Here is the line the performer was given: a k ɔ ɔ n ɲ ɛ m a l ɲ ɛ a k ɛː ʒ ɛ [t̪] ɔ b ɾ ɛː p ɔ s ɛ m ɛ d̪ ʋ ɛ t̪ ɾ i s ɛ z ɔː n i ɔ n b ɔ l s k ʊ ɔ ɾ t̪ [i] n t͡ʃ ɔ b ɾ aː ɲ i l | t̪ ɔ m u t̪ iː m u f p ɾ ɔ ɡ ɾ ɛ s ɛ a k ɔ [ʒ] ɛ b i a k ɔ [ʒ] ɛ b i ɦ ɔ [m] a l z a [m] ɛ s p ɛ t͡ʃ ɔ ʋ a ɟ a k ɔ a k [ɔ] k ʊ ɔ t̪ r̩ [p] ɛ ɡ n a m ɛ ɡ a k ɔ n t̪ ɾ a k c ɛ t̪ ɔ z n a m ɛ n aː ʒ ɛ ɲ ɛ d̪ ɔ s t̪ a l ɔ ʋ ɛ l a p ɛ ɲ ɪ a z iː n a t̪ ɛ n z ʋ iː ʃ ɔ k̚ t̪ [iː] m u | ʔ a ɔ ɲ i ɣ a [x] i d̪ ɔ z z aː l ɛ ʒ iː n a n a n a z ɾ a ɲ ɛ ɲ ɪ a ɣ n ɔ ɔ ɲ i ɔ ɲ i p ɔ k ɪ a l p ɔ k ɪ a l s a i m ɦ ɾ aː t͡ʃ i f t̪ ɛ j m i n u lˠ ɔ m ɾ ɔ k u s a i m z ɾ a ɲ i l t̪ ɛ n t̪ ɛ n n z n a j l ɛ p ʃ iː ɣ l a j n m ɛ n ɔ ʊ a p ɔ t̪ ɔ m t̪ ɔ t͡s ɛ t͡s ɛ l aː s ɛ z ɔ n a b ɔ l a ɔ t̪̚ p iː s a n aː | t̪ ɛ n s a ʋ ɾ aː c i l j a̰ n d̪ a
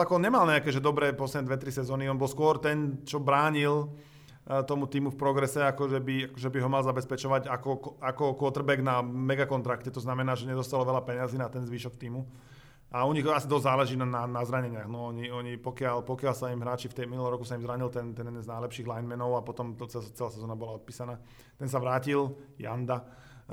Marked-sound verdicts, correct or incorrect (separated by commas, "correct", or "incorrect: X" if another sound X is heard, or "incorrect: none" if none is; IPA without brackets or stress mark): incorrect: d̪, incorrect: ɛ, correct, correct, correct, incorrect: b, correct, incorrect: b, correct, incorrect: s